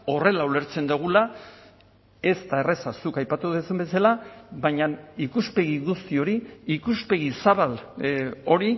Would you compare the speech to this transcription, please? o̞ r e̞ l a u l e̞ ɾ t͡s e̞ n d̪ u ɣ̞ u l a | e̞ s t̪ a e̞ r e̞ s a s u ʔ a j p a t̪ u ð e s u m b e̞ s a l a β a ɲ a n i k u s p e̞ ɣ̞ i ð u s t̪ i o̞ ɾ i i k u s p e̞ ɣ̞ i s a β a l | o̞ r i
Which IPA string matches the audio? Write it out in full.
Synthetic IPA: o̞ r e̞ l a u l e̞ ɾ t͡s e̞ n d̪ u ɣ̞ u l a | e̞ s t̪ a e̞ r e̞ s a s u k a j p a t̪ u ð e s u m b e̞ s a l a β a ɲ a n i k u s p e̞ ɣ̞ i ɣ u s t̪ i o̞ ɾ i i k u s p e̞ ɣ̞ i s a β a l | o̞ ɾ i